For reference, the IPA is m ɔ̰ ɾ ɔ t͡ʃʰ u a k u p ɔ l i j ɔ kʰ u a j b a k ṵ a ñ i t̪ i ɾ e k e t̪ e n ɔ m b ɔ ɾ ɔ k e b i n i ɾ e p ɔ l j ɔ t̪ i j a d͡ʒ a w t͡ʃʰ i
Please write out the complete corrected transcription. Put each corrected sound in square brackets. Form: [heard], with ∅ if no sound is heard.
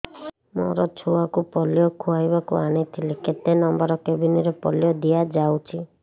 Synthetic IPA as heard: m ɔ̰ ɾ ɔ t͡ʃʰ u a k u p ɔ l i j ɔ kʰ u a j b a k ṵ a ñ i [t̪ʰ] i [l] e k e t̪ e n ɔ m b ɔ ɾ ɔ k e b i n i ɾ e p ɔ l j ɔ [d̪] i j a d͡ʒ a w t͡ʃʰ i